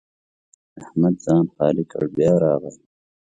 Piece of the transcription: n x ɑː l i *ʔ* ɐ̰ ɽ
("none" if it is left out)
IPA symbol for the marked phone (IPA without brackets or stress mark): k